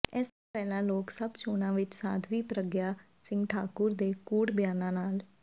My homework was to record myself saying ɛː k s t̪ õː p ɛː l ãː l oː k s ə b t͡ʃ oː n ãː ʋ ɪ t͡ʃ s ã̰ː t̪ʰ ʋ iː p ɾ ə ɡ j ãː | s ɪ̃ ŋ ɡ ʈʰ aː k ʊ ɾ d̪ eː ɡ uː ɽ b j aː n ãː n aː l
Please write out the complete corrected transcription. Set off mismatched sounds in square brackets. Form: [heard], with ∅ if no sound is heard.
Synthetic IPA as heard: ɛː [∅] s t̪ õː p ɛː l ãː l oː k s ə b t͡ʃ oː n ãː ʋ ɪ t͡ʃ s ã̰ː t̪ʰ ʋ iː p ɾ ə ɡ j [aː] | s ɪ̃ ŋ ɡ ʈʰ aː k ʊ ɾ d̪ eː [k] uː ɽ b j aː n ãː n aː l